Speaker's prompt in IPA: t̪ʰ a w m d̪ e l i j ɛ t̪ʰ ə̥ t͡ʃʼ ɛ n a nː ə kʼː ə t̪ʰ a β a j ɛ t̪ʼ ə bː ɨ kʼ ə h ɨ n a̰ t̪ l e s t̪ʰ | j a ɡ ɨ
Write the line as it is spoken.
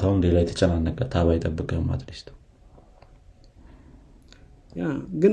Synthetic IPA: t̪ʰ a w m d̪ e l a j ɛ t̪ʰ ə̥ t͡ʃʼ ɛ n a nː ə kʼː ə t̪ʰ a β a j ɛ t̪ʼ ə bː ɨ kʼ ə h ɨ m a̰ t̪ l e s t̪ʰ | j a ɡ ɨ